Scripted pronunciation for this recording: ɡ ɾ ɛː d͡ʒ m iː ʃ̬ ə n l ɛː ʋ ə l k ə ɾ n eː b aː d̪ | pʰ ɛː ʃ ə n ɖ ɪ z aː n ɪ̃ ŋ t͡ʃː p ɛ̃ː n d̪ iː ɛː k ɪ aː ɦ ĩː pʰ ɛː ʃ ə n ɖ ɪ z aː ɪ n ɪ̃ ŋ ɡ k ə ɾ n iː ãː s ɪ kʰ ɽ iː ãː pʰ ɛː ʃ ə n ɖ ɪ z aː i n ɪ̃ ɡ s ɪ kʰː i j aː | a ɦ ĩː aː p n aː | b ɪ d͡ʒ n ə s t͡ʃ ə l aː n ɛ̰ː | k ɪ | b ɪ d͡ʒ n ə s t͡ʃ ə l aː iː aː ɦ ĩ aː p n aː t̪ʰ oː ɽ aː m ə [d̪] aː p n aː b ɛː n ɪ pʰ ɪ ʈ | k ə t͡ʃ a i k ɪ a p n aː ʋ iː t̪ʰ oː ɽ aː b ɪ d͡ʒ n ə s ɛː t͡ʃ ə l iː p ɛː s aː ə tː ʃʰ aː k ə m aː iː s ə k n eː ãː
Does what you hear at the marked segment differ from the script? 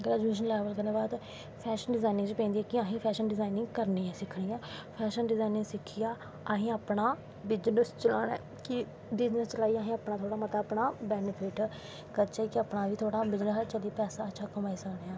yes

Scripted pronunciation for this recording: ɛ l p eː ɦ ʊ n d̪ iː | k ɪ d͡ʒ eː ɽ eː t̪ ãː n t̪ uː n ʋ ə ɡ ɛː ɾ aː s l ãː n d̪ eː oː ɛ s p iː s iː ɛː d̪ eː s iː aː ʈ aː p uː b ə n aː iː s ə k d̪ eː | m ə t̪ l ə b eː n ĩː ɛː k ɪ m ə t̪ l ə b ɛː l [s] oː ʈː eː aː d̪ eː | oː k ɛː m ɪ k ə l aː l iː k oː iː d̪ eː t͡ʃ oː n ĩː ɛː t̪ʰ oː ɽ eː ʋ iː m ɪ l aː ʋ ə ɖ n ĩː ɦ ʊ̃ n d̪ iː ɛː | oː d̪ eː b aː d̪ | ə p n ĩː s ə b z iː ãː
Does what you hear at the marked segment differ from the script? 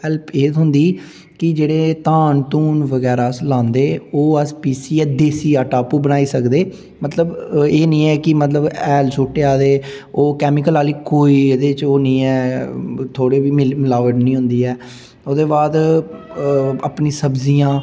no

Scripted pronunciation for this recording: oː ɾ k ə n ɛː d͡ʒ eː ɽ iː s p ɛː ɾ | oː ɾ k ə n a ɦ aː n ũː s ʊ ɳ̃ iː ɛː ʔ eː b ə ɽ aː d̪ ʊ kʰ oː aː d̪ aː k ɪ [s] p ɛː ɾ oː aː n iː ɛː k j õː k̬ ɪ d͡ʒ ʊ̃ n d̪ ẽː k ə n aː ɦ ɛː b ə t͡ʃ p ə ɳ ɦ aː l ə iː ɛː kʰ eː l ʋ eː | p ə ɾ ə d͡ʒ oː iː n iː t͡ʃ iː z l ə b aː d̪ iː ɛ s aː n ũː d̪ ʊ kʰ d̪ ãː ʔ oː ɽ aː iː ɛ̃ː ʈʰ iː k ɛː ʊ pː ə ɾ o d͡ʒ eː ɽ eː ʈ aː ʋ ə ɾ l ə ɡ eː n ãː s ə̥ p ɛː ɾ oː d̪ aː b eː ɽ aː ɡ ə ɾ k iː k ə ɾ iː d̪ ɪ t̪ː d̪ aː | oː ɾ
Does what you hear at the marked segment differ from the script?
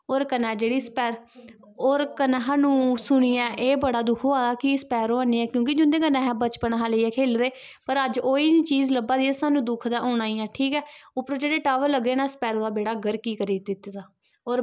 no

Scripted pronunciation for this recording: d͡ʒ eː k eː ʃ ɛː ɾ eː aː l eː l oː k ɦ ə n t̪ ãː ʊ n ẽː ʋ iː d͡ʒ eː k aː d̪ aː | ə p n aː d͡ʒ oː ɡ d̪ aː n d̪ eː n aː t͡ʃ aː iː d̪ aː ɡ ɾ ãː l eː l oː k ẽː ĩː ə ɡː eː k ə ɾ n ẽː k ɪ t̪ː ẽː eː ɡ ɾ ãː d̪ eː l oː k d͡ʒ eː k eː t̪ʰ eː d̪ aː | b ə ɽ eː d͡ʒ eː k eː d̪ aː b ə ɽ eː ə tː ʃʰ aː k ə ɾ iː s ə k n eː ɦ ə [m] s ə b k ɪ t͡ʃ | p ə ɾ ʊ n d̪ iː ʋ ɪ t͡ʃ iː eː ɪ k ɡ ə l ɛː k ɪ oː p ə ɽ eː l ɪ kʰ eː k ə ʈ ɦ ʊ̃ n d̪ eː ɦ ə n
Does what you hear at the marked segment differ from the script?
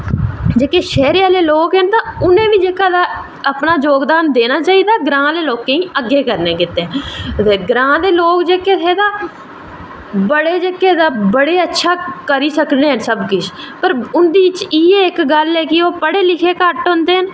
yes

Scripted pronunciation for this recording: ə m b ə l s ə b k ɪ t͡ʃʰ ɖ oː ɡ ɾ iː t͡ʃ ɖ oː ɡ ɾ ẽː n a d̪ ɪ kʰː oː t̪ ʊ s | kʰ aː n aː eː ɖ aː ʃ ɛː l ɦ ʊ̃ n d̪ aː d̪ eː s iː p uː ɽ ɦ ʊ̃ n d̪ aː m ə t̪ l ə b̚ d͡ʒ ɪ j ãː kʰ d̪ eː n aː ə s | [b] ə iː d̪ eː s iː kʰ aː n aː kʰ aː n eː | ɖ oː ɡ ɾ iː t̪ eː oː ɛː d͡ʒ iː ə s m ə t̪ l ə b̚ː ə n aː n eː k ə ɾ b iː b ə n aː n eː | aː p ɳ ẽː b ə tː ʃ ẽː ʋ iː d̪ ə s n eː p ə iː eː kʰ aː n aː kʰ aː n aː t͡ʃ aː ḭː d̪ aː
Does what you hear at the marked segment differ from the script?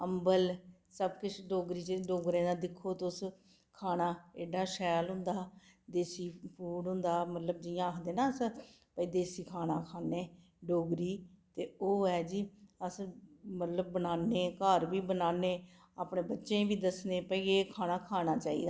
yes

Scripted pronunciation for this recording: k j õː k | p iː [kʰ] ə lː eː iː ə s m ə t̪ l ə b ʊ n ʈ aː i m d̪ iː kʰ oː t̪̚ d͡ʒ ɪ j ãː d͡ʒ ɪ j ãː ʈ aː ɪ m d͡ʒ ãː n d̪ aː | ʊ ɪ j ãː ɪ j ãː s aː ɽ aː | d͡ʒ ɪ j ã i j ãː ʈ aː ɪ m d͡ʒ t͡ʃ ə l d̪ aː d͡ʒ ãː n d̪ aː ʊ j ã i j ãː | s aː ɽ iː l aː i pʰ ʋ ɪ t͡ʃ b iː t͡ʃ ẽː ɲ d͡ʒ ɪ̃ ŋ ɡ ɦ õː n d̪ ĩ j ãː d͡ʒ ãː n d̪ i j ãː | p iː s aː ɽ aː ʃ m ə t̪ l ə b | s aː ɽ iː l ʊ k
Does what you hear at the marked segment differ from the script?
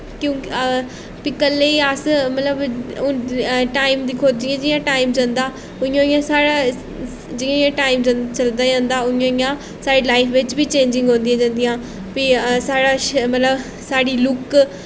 yes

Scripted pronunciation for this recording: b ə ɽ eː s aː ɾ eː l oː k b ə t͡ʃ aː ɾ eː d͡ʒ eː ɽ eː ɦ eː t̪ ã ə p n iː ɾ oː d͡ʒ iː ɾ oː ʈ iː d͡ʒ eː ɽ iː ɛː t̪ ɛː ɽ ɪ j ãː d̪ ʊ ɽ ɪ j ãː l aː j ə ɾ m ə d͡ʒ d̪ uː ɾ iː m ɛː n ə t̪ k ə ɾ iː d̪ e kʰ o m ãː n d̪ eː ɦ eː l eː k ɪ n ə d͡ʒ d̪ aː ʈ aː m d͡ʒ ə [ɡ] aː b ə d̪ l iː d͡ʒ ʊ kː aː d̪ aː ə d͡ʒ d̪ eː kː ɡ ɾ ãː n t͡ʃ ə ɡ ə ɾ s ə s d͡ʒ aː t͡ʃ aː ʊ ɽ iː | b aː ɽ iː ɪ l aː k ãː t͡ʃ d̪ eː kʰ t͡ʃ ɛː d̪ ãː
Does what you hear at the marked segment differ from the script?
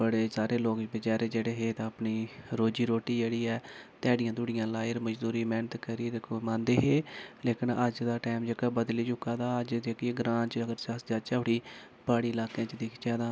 yes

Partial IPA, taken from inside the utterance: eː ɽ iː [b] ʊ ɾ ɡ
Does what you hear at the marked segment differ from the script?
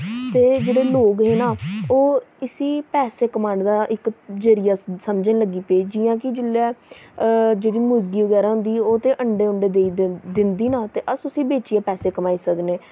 yes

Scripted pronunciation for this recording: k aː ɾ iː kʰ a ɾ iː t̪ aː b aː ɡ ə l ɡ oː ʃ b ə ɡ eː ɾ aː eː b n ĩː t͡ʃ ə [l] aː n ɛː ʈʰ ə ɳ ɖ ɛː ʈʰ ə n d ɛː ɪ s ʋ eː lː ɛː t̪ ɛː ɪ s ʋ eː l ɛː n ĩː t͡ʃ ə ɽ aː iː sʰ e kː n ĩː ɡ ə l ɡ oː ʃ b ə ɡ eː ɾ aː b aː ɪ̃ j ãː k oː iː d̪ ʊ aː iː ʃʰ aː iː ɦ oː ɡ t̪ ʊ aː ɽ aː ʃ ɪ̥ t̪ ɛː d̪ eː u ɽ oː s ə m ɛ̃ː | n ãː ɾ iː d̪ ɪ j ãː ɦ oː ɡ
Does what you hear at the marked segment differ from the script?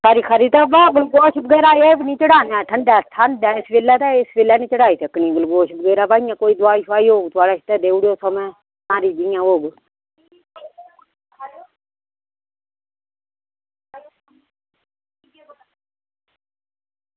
yes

